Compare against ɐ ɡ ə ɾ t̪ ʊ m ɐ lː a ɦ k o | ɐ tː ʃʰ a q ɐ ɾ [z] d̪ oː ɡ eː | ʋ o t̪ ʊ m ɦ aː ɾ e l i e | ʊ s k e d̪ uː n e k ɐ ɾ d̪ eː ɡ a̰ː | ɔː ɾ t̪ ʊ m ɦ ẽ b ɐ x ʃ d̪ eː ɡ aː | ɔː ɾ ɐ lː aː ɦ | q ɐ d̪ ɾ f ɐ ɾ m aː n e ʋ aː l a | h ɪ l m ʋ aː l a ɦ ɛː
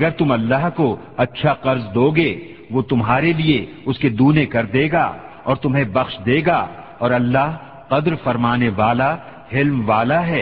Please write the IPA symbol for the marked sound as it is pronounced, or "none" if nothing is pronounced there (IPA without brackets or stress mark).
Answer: z